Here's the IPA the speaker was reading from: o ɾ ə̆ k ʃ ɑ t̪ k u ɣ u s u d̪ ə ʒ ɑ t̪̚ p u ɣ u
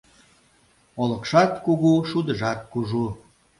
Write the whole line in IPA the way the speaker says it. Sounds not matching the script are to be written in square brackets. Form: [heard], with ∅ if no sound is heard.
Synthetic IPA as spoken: o [l] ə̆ k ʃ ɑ t̪ k u ɣ u [ʃ] u d̪ ə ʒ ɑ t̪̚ [k] u [ʒ] u